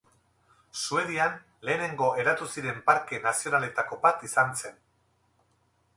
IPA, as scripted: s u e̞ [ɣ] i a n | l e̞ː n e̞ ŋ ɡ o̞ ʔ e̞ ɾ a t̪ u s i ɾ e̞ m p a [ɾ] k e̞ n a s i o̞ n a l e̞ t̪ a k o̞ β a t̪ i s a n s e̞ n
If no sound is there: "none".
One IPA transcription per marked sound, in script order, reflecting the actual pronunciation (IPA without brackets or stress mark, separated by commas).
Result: ð, ɾ